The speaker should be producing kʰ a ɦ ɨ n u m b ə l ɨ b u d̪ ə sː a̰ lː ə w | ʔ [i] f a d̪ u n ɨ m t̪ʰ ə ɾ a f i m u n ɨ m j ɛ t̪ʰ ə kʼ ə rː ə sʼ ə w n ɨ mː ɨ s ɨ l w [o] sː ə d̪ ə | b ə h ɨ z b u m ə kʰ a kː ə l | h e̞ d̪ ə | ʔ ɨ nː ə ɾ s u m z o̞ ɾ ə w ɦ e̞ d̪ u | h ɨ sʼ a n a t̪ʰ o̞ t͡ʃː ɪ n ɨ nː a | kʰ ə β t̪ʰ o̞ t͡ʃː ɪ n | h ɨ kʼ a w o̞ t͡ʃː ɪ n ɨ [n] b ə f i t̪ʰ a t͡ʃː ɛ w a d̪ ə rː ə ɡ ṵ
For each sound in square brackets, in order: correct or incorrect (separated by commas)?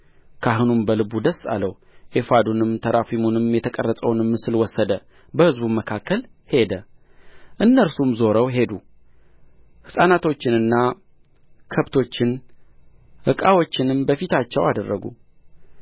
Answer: incorrect, incorrect, incorrect